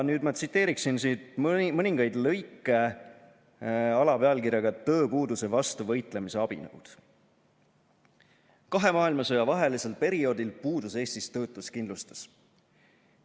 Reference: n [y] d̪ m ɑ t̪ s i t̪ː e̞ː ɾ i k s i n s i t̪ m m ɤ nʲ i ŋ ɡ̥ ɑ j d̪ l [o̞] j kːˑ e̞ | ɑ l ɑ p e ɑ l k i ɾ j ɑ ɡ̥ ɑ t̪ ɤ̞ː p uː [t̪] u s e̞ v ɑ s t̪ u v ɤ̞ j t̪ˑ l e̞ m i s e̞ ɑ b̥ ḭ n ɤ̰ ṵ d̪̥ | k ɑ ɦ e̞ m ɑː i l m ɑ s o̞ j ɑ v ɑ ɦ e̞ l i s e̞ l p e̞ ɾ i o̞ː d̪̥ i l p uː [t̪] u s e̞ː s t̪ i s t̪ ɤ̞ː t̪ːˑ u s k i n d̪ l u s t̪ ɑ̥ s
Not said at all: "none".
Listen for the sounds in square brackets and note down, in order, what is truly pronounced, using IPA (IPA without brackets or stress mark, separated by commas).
yː, ɤ̞, d̪, d̪